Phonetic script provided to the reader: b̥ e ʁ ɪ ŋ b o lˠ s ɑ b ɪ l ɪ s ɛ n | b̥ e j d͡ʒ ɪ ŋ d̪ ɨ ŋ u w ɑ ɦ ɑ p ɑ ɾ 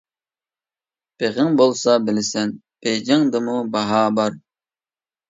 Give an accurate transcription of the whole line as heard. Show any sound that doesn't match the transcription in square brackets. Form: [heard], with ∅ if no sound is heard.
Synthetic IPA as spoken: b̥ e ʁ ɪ ŋ b o lˠ s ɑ b ɪ l ɪ s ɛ n | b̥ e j d͡ʒ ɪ ŋ d̪ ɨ [m] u [b] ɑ ɦ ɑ [b] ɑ ɾ